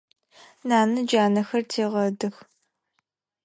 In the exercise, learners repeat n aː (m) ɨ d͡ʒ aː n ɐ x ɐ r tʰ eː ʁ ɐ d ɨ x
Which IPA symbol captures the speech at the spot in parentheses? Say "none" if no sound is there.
n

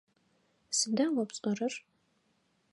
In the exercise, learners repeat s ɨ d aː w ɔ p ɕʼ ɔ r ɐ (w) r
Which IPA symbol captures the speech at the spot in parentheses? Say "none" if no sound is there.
none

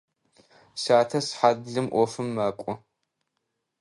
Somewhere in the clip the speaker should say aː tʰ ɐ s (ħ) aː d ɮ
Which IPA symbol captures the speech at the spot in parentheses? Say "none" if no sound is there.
ħ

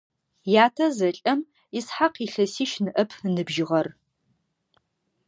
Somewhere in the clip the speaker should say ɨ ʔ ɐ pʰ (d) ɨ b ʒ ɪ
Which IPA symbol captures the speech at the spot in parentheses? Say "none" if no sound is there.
n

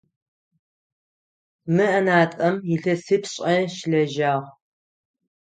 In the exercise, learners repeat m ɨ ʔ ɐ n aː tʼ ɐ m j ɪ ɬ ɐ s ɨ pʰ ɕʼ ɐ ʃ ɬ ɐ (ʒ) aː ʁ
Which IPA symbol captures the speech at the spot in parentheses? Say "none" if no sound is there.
ʒ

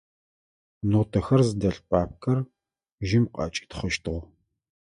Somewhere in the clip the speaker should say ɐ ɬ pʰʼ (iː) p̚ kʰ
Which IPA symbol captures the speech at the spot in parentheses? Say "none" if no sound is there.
aː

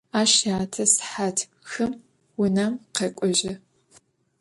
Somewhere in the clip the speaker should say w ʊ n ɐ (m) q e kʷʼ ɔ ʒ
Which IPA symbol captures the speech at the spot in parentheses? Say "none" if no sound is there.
m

